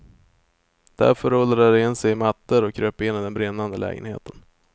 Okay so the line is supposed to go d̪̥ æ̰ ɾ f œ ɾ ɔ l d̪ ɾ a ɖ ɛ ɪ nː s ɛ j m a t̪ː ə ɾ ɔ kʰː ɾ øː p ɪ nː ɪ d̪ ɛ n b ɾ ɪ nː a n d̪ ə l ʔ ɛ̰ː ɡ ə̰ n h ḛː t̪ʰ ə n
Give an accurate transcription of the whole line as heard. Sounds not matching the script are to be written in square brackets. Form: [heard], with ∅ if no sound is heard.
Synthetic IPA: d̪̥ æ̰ ɾ f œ ɾ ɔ l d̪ ɾ a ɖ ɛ ɪ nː s ɛ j m a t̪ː ə ɾ ɔ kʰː ɾ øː p ɪ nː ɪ d̪ ɛ n b ɾ ɪ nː a n d̪ ə l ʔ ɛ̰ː ɡ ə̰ n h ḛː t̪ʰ ə n